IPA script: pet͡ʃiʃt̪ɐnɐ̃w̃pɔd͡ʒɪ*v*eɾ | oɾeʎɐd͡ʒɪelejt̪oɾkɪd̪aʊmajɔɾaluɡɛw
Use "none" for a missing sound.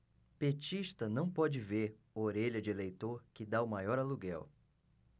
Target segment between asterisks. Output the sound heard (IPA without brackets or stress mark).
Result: v